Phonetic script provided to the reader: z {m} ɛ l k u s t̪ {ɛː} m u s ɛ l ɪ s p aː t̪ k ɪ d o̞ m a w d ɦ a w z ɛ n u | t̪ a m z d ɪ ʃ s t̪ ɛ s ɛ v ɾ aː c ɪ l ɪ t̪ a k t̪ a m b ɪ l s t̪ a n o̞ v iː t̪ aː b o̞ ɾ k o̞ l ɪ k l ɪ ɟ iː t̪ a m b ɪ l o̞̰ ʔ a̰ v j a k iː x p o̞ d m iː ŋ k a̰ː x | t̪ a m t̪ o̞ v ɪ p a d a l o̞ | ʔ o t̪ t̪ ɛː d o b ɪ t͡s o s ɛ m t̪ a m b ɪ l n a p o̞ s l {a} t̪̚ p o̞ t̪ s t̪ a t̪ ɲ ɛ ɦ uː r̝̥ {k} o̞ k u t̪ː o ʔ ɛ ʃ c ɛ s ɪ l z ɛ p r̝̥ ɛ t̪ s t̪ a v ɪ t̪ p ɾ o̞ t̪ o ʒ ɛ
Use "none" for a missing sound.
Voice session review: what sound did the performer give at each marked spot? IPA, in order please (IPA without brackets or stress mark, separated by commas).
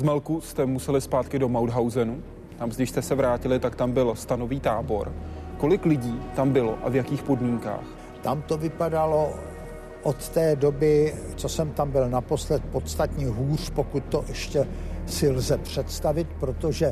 m, ɛ, ɛ, p